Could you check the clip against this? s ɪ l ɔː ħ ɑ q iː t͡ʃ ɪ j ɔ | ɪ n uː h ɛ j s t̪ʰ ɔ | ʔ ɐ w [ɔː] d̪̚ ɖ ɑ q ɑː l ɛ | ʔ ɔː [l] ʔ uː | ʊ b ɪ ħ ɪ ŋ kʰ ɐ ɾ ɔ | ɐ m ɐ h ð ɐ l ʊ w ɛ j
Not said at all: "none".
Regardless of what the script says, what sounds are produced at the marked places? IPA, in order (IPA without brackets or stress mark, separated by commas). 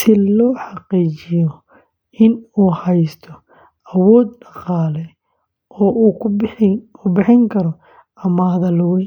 ɔː, none